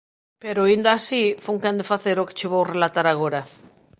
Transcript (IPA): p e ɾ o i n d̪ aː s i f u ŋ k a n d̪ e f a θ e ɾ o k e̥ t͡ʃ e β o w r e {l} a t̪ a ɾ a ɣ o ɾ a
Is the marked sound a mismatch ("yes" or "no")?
no